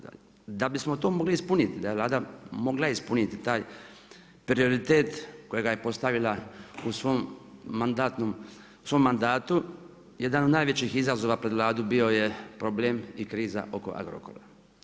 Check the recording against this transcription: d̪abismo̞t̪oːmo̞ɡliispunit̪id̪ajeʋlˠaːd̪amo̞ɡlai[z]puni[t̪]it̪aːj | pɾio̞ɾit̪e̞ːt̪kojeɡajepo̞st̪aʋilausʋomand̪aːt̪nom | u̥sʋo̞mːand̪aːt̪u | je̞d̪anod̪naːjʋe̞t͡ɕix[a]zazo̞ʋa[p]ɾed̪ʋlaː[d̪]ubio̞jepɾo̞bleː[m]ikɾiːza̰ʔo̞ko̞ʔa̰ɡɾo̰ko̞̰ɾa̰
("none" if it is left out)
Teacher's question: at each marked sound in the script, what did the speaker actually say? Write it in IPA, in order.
s, t̪, i, p, d̪, m

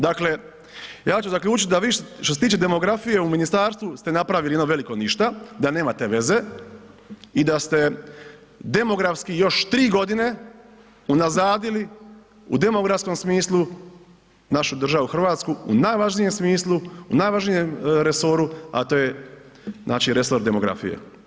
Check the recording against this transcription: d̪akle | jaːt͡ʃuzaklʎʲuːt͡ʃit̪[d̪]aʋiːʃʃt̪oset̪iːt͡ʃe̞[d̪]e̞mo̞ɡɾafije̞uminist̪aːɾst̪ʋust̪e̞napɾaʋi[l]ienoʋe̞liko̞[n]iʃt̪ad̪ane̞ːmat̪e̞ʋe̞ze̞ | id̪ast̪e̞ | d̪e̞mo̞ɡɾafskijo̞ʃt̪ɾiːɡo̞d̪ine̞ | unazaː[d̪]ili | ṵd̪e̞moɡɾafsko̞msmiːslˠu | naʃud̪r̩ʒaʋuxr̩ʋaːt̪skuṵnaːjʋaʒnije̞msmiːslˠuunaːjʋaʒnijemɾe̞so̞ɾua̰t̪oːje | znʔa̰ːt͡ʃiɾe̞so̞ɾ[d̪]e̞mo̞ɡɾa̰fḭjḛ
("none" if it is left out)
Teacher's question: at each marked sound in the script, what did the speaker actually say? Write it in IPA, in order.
d̪, d̪, l, n, d̪, d̪

